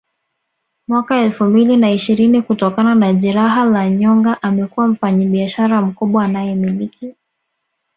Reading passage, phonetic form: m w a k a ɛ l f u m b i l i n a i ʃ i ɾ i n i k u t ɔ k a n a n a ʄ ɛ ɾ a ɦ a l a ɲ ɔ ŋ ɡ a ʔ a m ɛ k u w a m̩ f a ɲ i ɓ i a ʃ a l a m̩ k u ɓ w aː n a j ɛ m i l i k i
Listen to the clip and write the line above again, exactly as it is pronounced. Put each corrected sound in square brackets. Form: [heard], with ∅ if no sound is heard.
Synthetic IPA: m w a k a ɛ l f u m b i l i n a i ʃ i ɾ i n i k u t ɔ k a n a n a ʄ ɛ ɾ a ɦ a l a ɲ ɔ ŋ ɡ a ʔ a m ɛ k u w a m̩ f a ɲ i ɓ i a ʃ a [ɾ] a m̩ k u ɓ w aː n a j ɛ m i l i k i